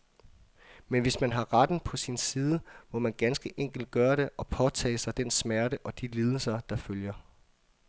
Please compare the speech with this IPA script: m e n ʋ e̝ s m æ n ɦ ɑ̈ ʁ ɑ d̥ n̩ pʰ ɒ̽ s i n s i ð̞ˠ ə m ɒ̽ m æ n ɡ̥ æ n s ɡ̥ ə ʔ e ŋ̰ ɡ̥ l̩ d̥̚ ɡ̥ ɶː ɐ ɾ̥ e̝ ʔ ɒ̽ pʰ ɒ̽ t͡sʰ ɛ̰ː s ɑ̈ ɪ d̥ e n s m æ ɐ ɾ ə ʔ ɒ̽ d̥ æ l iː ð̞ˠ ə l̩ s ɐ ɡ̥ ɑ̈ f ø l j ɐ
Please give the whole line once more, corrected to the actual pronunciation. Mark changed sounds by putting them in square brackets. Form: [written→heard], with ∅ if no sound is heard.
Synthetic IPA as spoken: m e n ʋ e̝ s m æ n ɦ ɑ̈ ʁ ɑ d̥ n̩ pʰ ɒ̽ s i n s [i→iː] ð̞ˠ ə m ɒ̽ m æ n ɡ̥ æ n s ɡ̥ ə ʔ e ŋ̰ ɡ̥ l̩ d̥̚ ɡ̥ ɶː ɐ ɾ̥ e̝ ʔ ɒ̽ pʰ ɒ̽ t͡sʰ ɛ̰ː s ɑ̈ ɪ d̥ e n s m æ ɐ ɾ ə ʔ ɒ̽ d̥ [æ→i] l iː ð̞ˠ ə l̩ s ɐ [ɡ̥→d̥] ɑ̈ f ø l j ɐ